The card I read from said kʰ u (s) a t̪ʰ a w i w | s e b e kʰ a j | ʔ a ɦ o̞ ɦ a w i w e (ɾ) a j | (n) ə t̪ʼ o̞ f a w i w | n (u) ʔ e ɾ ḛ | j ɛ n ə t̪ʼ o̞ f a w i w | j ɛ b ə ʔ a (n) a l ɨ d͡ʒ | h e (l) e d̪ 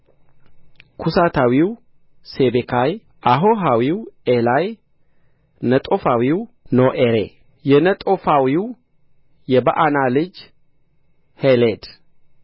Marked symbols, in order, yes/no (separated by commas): yes, no, yes, no, yes, yes